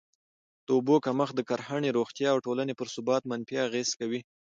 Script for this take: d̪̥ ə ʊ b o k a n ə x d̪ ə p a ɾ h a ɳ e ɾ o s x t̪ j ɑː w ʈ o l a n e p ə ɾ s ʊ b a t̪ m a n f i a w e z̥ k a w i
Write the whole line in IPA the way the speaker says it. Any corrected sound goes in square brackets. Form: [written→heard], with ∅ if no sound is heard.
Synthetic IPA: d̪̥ ə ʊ b o k a [n→m] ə x d̪ ə [p→k] a ɾ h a ɳ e ɾ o [s→∅] x t̪ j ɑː w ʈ o l a n e p ə ɾ s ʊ b [a→ɑ] t̪ m a n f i a [w→ɣ] e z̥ k a w i